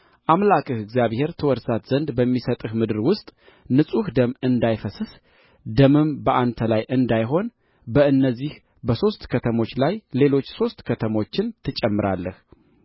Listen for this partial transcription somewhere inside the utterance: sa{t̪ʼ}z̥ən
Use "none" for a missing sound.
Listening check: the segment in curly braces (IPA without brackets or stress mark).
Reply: t̪